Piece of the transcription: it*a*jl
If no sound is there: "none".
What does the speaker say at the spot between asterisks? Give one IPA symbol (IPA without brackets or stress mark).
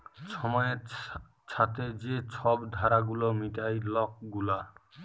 a